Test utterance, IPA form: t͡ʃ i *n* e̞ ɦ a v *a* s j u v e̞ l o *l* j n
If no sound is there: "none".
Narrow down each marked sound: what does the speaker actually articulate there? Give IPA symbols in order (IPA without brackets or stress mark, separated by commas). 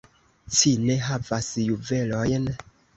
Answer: n, a, none